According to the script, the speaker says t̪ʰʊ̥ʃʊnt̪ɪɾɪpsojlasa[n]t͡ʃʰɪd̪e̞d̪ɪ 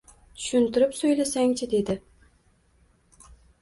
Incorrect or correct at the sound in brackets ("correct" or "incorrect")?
incorrect